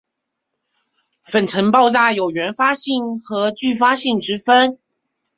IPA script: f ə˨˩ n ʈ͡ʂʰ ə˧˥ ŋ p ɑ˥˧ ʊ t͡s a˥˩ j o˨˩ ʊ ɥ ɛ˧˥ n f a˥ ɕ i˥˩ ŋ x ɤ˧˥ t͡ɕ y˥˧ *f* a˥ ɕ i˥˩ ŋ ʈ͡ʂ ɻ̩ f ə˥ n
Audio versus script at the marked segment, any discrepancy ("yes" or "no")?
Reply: no